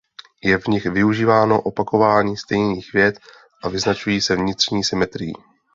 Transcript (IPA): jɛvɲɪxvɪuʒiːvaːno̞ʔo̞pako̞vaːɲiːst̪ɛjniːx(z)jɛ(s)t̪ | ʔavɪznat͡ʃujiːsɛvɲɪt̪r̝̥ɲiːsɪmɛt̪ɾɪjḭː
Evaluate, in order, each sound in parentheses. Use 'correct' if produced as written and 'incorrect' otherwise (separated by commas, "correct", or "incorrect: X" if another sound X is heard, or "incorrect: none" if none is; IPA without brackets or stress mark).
incorrect: v, incorrect: none